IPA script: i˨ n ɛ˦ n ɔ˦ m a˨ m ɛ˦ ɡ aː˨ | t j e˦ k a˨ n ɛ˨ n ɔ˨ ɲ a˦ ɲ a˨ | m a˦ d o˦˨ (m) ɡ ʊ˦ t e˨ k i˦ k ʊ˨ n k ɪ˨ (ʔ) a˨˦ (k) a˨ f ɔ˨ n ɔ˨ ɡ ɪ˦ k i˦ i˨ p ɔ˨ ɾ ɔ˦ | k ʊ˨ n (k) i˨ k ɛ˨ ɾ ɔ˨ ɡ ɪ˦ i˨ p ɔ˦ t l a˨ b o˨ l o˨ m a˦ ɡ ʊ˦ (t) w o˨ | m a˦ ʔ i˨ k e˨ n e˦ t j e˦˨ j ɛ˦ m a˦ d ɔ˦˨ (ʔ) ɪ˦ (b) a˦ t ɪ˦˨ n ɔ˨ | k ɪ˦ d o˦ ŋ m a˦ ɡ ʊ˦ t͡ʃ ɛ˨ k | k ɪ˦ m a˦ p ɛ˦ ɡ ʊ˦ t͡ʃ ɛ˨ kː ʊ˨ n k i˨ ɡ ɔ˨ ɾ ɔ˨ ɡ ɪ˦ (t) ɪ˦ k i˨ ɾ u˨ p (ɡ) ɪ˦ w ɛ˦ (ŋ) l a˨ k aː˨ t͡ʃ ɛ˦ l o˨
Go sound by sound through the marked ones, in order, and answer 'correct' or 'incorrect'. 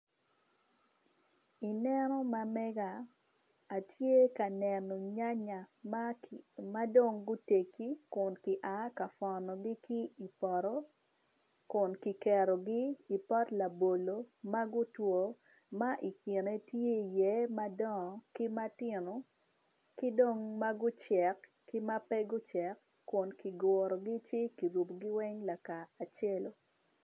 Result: incorrect, correct, correct, correct, correct, incorrect, incorrect, incorrect, correct, correct

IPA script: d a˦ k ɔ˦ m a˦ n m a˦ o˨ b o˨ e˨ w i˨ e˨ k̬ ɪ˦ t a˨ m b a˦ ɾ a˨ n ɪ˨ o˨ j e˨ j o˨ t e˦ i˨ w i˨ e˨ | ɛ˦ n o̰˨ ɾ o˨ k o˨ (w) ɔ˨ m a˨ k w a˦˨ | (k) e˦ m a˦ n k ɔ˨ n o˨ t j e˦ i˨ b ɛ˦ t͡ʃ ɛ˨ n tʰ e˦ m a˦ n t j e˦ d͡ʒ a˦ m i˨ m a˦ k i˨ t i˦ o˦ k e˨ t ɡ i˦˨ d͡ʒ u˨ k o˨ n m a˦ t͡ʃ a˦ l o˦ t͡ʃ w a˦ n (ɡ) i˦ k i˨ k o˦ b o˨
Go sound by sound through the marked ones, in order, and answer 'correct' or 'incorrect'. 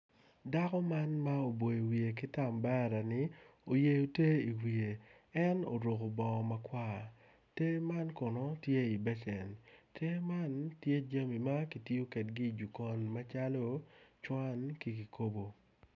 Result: incorrect, incorrect, incorrect

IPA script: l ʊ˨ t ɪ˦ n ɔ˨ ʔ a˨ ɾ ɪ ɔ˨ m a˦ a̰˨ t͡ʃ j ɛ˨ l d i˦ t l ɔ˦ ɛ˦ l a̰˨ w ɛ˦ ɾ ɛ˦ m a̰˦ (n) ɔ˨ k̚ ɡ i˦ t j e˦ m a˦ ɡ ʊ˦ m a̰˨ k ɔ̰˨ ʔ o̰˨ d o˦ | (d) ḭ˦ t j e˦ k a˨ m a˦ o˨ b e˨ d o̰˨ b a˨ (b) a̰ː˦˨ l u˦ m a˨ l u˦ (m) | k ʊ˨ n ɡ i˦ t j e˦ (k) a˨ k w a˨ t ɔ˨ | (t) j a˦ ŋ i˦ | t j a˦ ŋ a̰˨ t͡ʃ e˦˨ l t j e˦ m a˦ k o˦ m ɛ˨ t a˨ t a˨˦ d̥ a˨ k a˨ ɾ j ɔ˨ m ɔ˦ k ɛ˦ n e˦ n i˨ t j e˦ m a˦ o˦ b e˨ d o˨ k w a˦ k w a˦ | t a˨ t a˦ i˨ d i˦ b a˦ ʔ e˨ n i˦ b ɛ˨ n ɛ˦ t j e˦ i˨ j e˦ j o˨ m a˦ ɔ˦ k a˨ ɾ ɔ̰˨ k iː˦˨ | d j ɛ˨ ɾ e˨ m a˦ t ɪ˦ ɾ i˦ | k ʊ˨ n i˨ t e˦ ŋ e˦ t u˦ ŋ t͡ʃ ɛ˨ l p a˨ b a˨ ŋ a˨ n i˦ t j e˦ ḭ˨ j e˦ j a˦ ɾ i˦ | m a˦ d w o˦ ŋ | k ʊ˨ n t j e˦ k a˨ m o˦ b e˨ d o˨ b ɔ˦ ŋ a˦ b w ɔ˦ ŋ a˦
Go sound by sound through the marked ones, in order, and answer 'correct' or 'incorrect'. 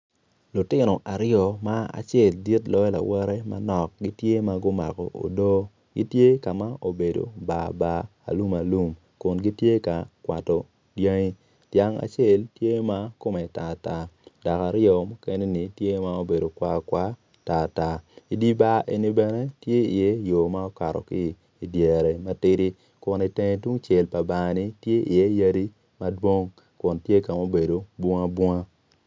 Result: correct, incorrect, correct, correct, correct, incorrect

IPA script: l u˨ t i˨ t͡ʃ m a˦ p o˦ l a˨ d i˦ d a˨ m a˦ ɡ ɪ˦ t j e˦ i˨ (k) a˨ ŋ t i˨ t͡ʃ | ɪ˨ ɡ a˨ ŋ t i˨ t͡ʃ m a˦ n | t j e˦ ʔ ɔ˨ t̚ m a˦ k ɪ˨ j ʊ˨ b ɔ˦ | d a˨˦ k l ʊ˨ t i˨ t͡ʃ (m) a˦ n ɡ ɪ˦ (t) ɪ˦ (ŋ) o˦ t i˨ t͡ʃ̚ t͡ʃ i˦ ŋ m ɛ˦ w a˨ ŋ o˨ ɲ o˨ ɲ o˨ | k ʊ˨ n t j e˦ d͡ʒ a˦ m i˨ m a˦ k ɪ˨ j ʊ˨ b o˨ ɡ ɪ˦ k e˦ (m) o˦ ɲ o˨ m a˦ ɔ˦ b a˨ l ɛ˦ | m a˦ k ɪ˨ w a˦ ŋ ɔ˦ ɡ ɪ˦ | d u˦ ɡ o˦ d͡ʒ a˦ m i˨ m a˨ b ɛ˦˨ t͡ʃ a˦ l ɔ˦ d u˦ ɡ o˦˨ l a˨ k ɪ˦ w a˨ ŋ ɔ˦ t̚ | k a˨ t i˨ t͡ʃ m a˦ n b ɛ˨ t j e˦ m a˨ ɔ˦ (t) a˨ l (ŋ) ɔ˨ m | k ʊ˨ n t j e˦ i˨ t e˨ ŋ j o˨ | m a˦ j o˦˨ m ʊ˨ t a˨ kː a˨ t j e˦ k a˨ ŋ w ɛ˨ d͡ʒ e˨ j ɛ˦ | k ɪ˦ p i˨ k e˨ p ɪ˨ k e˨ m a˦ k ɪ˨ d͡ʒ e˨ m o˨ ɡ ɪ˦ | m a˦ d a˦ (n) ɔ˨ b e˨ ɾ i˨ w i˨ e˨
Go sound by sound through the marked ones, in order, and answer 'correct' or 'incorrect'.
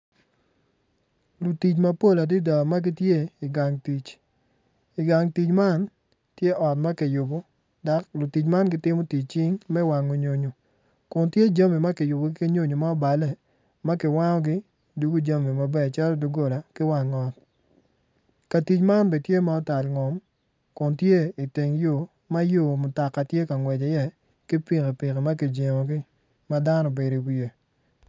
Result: incorrect, correct, correct, incorrect, incorrect, correct, correct, correct

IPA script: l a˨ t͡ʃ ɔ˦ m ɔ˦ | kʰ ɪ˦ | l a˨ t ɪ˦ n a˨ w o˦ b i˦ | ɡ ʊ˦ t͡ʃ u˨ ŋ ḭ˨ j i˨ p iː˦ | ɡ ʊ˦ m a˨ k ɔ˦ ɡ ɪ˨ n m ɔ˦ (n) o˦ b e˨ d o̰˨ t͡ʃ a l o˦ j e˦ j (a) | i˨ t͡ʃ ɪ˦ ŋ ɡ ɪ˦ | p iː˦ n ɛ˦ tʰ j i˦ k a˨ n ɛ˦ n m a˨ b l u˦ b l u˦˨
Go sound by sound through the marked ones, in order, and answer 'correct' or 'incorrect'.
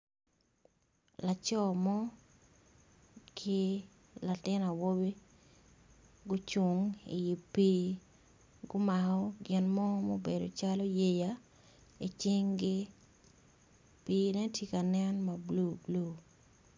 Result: incorrect, correct

